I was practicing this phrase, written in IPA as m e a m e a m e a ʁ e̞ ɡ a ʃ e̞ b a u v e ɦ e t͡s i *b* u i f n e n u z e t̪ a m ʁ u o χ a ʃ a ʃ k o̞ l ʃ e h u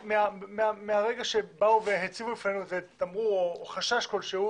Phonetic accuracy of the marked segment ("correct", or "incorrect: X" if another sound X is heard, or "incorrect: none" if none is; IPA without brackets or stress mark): incorrect: v